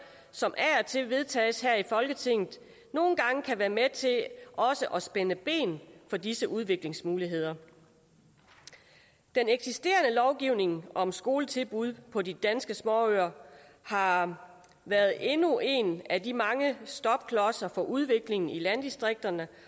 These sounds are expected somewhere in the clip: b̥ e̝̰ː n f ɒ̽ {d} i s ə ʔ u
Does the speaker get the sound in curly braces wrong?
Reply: no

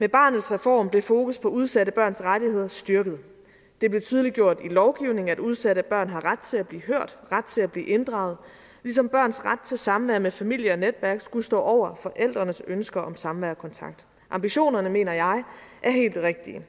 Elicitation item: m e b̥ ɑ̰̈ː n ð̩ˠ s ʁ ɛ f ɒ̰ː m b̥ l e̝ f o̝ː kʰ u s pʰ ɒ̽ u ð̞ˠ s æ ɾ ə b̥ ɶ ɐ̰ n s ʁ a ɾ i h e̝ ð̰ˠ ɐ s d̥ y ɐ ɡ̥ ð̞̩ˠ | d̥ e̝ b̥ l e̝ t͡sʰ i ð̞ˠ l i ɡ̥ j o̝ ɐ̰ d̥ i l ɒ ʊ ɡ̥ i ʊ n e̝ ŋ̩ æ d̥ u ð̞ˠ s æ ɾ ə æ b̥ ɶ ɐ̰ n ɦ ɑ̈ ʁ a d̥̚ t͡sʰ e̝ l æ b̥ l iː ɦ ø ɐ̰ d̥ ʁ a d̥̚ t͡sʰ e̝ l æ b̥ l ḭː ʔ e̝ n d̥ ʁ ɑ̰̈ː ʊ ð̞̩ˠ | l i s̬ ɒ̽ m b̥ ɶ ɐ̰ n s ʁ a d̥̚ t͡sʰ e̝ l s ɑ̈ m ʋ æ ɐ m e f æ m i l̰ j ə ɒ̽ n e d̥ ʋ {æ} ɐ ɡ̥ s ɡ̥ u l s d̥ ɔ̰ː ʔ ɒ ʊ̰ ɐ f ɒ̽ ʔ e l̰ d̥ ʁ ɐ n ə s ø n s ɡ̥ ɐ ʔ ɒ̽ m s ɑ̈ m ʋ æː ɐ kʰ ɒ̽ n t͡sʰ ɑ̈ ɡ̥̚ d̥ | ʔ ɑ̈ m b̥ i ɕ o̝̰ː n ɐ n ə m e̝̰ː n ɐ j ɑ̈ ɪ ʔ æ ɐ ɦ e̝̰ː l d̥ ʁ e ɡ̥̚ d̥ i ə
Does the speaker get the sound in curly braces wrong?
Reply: no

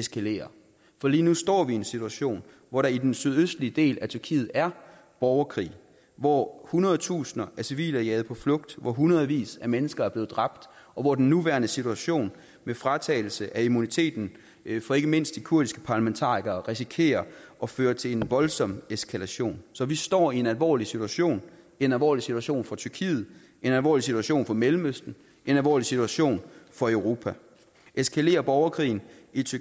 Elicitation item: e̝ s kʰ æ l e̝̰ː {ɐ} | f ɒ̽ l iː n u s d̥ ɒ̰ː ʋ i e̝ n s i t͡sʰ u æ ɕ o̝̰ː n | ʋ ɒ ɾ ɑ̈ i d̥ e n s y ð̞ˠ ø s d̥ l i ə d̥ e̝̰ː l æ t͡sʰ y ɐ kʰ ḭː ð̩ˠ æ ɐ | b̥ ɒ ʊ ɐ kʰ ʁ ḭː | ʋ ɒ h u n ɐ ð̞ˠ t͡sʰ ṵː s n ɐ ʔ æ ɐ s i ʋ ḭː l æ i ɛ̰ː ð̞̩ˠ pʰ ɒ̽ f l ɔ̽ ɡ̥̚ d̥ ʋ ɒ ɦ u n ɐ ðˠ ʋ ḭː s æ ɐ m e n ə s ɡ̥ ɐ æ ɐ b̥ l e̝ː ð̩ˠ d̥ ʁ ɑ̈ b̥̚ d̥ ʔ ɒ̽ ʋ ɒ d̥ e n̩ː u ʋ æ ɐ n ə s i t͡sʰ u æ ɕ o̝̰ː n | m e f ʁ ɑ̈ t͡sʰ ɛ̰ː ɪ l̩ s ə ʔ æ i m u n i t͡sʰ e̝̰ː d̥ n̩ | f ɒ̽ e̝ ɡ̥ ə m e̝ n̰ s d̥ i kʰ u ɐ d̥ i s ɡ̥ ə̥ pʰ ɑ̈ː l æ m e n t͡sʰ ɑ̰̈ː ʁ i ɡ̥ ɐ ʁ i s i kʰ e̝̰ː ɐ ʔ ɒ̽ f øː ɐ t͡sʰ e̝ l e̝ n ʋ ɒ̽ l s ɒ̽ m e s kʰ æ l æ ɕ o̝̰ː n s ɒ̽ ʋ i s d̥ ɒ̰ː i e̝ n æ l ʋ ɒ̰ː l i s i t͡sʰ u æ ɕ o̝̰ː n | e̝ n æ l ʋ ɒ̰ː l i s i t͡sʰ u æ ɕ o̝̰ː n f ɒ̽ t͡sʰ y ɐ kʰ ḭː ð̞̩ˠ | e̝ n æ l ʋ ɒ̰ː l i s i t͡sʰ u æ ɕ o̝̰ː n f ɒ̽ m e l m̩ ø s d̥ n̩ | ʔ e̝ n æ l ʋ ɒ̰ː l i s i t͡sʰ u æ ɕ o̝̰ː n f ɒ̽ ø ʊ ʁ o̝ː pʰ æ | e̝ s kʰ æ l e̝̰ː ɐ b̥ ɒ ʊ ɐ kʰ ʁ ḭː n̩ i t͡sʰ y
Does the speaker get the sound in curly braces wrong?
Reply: no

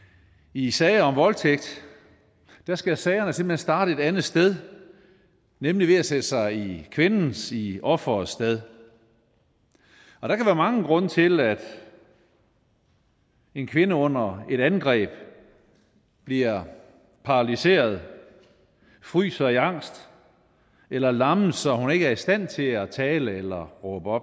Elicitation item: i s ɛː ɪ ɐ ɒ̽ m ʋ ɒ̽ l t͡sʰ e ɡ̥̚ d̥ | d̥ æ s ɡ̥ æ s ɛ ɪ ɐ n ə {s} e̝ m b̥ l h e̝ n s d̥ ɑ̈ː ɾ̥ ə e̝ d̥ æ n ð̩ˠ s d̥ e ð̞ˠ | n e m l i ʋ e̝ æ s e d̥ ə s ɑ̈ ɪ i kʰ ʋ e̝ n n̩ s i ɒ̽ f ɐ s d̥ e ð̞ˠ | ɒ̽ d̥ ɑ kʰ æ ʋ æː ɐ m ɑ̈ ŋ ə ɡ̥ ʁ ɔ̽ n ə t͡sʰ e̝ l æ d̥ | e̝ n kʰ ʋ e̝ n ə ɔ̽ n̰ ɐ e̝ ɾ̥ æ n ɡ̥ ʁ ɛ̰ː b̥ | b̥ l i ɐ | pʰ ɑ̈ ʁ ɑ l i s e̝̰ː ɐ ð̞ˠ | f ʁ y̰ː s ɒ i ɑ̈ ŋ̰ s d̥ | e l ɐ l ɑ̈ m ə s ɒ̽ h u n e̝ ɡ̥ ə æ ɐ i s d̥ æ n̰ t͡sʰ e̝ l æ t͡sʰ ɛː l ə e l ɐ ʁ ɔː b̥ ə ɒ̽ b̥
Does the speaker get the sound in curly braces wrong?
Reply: no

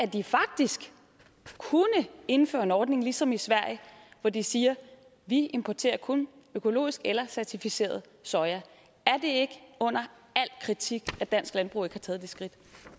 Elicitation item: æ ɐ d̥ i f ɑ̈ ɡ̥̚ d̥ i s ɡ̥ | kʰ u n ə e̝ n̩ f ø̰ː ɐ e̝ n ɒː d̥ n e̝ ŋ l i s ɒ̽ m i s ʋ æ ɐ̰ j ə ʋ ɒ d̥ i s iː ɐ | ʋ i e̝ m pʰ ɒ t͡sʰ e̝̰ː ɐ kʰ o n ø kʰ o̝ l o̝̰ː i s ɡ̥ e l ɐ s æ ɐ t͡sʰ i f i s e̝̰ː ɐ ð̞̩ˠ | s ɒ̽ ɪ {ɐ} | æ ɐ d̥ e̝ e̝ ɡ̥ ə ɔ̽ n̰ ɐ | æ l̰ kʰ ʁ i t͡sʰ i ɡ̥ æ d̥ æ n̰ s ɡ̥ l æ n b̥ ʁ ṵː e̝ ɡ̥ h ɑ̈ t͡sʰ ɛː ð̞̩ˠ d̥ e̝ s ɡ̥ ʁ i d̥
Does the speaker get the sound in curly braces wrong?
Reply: no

